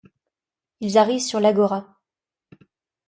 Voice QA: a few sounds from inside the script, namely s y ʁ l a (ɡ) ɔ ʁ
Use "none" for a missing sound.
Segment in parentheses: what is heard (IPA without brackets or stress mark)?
ɡ